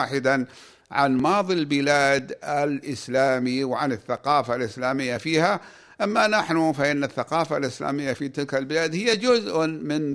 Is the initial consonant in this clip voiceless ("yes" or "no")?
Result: yes